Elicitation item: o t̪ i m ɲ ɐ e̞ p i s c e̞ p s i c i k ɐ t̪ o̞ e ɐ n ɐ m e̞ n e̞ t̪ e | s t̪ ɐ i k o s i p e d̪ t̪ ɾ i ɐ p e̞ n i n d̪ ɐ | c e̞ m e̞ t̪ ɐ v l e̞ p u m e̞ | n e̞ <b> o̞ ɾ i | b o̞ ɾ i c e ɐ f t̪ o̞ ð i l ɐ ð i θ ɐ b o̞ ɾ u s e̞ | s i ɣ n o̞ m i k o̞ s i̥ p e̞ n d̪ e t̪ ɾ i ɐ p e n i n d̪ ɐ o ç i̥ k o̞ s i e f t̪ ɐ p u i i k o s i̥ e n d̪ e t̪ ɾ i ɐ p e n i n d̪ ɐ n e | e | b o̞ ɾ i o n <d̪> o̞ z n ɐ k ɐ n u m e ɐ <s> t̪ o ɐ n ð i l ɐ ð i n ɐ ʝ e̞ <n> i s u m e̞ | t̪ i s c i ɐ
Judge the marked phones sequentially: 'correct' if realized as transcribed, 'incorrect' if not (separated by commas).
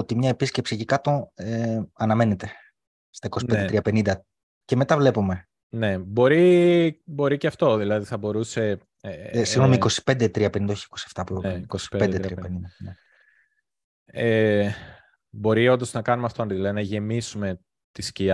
correct, correct, incorrect, incorrect